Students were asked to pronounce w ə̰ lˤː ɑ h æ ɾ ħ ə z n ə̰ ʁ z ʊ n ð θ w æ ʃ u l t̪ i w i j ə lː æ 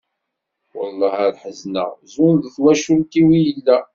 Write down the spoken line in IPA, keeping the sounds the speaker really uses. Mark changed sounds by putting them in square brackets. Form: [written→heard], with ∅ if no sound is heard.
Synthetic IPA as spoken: w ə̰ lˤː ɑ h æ ɾ ħ ə z n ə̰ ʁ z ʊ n ð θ w æ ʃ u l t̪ i w i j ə lː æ